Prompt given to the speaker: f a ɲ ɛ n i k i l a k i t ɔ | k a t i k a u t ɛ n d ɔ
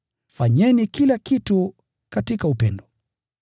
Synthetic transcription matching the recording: f a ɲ ɛ n i k i l a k i t u | k a t i k a u p ɛ n d ɔ